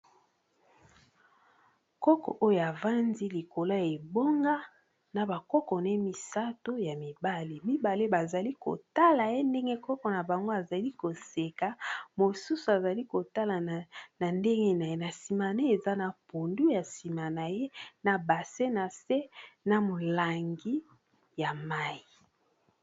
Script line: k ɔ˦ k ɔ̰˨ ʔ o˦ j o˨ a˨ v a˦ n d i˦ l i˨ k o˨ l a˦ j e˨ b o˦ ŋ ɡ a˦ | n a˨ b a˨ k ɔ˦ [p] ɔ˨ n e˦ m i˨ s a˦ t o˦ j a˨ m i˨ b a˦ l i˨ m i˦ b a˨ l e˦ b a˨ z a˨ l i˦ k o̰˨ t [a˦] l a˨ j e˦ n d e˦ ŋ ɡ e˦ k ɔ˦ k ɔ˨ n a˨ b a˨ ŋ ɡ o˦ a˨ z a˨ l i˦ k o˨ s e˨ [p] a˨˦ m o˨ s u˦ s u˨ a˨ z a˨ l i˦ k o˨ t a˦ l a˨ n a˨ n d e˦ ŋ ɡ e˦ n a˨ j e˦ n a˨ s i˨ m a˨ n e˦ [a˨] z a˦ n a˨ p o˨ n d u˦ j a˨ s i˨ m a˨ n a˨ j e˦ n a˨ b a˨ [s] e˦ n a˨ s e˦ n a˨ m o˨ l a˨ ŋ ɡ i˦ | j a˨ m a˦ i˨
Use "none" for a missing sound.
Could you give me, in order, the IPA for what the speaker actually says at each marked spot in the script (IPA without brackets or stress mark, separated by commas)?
k, a˦, k, e˨, s